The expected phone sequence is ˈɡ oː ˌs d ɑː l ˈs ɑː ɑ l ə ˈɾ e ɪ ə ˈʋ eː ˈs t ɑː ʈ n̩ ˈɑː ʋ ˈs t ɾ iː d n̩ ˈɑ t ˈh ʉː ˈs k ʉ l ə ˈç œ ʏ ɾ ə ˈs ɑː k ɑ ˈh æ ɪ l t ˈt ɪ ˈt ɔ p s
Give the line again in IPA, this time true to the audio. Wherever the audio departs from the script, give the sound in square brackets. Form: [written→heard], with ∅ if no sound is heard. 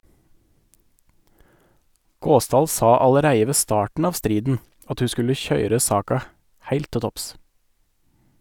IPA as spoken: ˈɡ oː ˌs d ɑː l ˈs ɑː ɑ l ə ˈɾ [e→æ] ɪ ə ˈʋ eː ˈs t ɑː ʈ n̩ ˈɑː ʋ ˈs t ɾ iː d n̩ ˈɑ t ˈh ʉː ˈs k ʉ l ə ˈç œ ʏ ɾ ə ˈs ɑː k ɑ ˈh æ ɪ l t ˈt ɪ ˈt ɔ p s